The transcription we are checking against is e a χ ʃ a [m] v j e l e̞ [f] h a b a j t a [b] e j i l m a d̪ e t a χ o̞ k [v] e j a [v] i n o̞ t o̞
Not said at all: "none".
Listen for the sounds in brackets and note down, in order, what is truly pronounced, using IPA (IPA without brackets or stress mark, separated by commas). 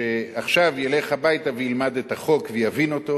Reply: none, χ, v, v, v